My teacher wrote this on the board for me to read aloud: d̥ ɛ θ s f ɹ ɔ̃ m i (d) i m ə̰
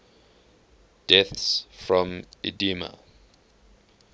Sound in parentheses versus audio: correct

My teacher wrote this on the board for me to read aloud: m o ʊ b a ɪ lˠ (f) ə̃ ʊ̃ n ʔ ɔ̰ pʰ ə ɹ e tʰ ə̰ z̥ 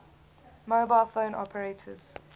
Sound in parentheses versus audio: correct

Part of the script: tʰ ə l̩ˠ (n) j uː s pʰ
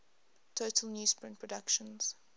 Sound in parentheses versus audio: correct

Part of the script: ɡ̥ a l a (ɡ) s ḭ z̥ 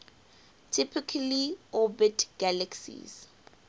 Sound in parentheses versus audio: incorrect: k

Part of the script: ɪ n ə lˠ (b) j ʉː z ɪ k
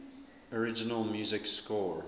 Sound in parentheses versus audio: incorrect: m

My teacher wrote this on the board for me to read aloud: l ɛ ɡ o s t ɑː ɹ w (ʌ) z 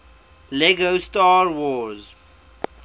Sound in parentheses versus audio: incorrect: ɔ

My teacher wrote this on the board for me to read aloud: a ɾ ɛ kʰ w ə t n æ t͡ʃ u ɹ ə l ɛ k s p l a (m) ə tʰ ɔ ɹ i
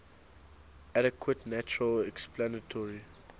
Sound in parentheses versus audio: incorrect: n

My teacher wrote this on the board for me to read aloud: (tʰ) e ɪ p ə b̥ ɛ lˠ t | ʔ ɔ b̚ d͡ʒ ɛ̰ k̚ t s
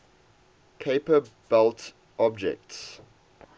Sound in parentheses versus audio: incorrect: kʰ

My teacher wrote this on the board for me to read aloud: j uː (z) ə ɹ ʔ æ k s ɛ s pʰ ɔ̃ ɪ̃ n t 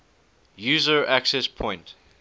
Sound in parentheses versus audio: correct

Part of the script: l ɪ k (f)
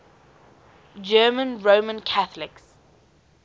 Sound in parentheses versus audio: incorrect: s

